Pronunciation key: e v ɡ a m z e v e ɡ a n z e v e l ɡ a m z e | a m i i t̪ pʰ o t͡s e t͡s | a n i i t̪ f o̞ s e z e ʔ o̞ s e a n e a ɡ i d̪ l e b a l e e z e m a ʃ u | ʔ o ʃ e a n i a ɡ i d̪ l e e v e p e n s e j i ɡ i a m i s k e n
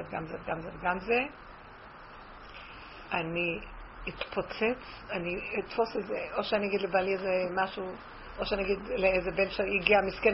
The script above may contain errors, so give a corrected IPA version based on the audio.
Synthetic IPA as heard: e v ɡ a m z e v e ɡ a m z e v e ɡ a m z e | a n i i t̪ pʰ o t͡s e t͡s | a n i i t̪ f o̞ s e z e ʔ o̞ ʃ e a n i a ɡ i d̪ l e b a l i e z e m a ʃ u | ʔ o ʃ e a n i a ɡ i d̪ l e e z e b e n ʃ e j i ɡ i a m i s k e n